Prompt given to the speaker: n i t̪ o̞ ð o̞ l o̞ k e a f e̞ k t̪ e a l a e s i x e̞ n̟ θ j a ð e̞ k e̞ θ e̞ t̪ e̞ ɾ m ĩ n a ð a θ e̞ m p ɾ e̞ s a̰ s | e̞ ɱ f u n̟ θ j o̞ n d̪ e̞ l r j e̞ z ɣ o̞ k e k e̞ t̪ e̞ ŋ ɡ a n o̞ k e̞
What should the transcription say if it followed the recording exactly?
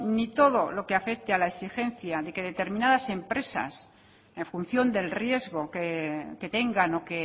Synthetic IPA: n i t̪ o̞ ð o̞ l o̞ k e a f e̞ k t̪ e a l a e s i x e̞ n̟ θ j a ð e̞ k e̞ ð e̞ t̪ e̞ ɾ m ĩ n a ð a s e̞ m p ɾ e̞ s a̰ s | e̞ ɱ f u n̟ θ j o̞ n d̪ e̞ l r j e̞ z ɣ o̞ k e k e̞ t̪ e̞ ŋ ɡ a n o̞ k e̞

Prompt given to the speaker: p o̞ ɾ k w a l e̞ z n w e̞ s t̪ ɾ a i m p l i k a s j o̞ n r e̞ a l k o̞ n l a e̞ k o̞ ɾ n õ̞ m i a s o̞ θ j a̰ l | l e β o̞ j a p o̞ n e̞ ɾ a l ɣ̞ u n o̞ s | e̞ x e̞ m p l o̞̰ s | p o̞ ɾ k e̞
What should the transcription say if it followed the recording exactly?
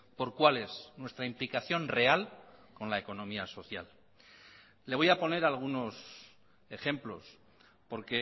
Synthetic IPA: p o̞ ɾ k w a l e̞ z n w e̞ s t̪ ɾ a i m p l i k a θ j o̞ n r e̞ a l k o̞ n l a e̞ k o̞ n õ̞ m i a s o̞ θ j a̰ l | l e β o̞ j a p o̞ n e̞ ɾ a l ɣ̞ u n o̞ s | e̞ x e̞ m p l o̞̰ s | p o̞ ɾ k e̞

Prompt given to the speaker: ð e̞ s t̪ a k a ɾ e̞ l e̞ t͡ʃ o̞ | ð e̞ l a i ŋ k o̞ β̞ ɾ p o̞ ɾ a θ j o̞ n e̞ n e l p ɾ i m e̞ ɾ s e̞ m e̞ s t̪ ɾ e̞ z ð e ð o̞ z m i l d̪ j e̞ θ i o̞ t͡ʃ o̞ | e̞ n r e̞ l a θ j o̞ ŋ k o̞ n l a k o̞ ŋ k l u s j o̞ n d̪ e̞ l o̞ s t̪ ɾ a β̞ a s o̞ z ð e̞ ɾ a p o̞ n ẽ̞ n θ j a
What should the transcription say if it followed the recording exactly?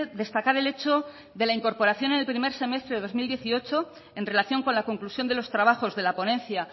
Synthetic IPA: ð e̞ s t̪ a k a ɾ e̞ l e̞ t͡ʃ o̞ | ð e̞ l a i ŋ k o̞ ɾ p o̞ ɾ a θ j o̞ n e̞ n e l p ɾ i m e̞ ɾ s e̞ m e̞ s t̪ ɾ e̞ ð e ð o̞ z m i l d̪ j e̞ θ i o̞ t͡ʃ o̞ | e̞ n r e̞ l a θ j o̞ ŋ k o̞ n l a k o̞ ŋ k l u s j o̞ n d̪ e̞ l o̞ s t̪ ɾ a β̞ a x o̞ z ð e̞ l a p o̞ n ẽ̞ n θ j a

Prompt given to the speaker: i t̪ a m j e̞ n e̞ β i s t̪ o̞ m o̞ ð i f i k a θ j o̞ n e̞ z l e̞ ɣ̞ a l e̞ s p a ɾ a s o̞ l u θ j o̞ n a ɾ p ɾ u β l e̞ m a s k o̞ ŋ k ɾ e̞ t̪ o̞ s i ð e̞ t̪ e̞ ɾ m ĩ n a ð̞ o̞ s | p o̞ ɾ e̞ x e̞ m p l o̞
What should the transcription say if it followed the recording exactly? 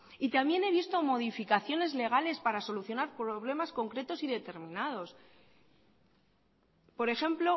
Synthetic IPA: i t̪ a m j e̞ n e̞ β i s t̪ o̞ m o̞ ð i f i k a θ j o̞ n e̞ z l e̞ ɣ̞ a l e̞ s p a ɾ a s o̞ l u θ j o̞ n a ɾ p ɾ o β l e̞ m a s k o̞ ŋ k ɾ e̞ t̪ o̞ s i ð e̞ t̪ e̞ ɾ m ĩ n a ð̞ o̞ s | p o̞ ɾ e̞ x e̞ m p l o̞

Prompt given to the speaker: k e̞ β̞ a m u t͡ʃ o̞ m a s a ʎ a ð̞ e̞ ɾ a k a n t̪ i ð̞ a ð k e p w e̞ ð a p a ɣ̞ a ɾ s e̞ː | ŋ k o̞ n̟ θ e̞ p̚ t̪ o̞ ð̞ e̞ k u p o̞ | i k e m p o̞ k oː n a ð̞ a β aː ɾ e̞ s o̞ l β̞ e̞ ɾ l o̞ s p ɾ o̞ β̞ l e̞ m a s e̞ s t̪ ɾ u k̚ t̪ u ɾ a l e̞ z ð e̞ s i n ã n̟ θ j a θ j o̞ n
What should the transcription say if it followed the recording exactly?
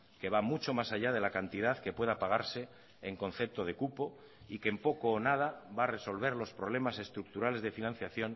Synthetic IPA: k e̞ β̞ a m u t͡ʃ o̞ m a s a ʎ a ð̞ e̞ l a k a n t̪ i ð̞ a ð k e p w e̞ ð a p a ɣ̞ a ɾ s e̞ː | ŋ k o̞ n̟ θ e̞ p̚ t̪ o̞ ð̞ e̞ k u p o̞ | i k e m p o̞ k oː n a ð̞ a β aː r e̞ s o̞ l β̞ e̞ ɾ l o̞ s p ɾ o̞ β̞ l e̞ m a s e̞ s t̪ ɾ u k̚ t̪ u ɾ a l e̞ z ð e̞ f i n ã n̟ θ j a θ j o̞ n

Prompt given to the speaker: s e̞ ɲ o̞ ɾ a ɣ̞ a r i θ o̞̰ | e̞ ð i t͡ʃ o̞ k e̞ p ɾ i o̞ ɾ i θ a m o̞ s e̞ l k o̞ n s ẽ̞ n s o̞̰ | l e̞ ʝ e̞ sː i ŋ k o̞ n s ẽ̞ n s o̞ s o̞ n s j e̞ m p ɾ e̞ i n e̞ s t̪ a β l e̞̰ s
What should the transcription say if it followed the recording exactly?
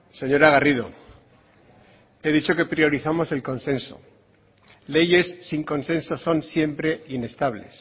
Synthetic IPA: s e̞ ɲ o̞ ɾ a ɣ̞ a r i ð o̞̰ | e̞ ð i t͡ʃ o̞ k e̞ p ɾ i o̞ ɾ i θ a m o̞ s e̞ l k o̞ n s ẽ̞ n s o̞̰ | l e̞ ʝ e̞ sː i ŋ k o̞ n s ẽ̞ n s o̞ s o̞ n s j e̞ m p ɾ e̞ i n e̞ s t̪ a β l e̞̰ s

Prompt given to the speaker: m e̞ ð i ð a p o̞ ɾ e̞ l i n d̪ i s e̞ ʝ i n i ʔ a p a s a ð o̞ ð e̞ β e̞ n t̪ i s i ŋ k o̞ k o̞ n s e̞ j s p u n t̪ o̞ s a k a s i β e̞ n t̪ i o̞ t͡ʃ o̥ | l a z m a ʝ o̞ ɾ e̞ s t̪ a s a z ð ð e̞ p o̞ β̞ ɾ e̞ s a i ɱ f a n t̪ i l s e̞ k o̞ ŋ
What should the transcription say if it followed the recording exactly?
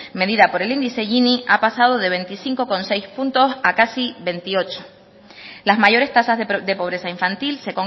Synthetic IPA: m e̞ ð i ð a p o̞ ɾ e̞ l i n d̪ i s e̞ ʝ i n i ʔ a p a s a ð o̞ ð e̞ β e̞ n t̪ i s i ŋ k o̞ k o̞ n s e̞ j s p u n t̪ o̞ s a k a s i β e̞ n t̪ i o̞ t͡ʃ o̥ | l a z m a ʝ o̞ ɾ e̞ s t̪ a s a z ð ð e̞ p o̞ β̞ ɾ e̞ s a i ɱ f a n t̪ i l s e̞ k o̞ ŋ

